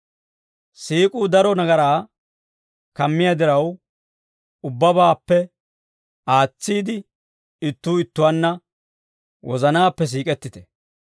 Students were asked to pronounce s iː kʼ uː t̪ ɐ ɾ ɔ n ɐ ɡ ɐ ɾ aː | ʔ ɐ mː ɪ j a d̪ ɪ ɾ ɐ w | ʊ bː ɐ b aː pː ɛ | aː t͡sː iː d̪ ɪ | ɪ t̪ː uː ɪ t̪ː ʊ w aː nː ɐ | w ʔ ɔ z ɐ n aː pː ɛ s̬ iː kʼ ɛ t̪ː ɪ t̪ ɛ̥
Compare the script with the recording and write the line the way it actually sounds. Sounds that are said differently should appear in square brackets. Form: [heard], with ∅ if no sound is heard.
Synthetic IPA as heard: s iː kʼ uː [d̪] ɐ ɾ ɔ n ɐ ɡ ɐ ɾ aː | [k] ɐ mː ɪ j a d̪ ɪ ɾ ɐ w | ʊ bː ɐ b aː pː ɛ | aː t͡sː iː d̪ ɪ | ɪ t̪ː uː ɪ t̪ː ʊ w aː nː ɐ | w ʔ ɔ z ɐ n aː pː ɛ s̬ iː kʼ ɛ t̪ː ɪ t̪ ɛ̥